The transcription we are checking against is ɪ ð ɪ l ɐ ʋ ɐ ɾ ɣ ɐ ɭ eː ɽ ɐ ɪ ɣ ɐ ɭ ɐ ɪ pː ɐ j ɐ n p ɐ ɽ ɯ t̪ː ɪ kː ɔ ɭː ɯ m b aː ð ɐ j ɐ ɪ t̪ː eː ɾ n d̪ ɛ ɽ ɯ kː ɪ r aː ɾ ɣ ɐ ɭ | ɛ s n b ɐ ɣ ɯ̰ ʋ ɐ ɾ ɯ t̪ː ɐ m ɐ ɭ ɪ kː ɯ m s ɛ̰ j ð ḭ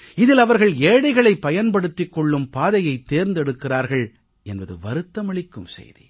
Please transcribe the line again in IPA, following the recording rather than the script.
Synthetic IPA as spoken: ɪ ð ɪ l ɐ ʋ ɐ ɾ ɣ ɐ ɭ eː ɽ ɐ ɪ ɣ ɐ ɭ ɐ ɪ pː ɐ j ɐ n p ɐ ɽ ɯ t̪ː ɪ kː ɔ ɭː ɯ m p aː ð ɐ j ɐ ɪ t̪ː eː ɾ n d̪ ɛ ɽ ɯ kː ɪ r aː ɾ ɣ ɐ ɭ | ɛ n b ɐ ð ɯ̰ ʋ ɐ ɾ ɯ t̪ː ɐ m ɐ ɭ ɪ kː ɯ m s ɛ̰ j ð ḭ